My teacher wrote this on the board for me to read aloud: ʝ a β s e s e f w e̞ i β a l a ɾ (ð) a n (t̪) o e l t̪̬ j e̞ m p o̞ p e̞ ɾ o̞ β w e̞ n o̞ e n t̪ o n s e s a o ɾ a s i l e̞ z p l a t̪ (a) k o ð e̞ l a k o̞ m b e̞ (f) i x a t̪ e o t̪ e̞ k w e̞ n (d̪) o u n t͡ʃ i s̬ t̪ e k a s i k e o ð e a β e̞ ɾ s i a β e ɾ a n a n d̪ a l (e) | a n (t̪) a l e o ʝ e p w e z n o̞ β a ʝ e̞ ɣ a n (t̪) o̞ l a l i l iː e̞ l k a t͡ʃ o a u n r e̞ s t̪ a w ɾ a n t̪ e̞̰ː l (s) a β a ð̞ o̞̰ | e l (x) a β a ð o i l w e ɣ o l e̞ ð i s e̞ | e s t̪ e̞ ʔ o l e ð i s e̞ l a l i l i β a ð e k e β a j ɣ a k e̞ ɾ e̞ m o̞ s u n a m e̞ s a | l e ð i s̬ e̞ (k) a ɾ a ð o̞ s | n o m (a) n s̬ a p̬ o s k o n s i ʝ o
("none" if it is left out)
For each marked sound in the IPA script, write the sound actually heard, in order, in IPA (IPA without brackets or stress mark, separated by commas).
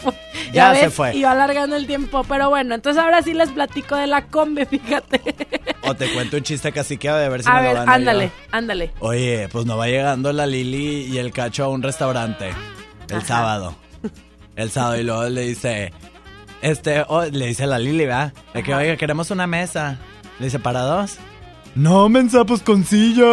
ɣ, d̪, i, f, t̪, e, d̪, d̪, s, s, p, e